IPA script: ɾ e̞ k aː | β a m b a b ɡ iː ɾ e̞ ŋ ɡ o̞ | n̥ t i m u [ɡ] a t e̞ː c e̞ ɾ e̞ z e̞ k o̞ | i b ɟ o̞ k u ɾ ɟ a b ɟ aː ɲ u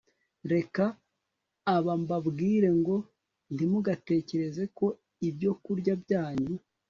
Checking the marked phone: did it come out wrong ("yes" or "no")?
no